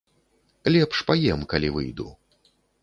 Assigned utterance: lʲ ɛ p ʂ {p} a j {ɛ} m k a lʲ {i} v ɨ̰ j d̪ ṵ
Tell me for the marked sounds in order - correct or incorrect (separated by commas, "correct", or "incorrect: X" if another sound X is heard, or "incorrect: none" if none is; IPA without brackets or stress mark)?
correct, correct, correct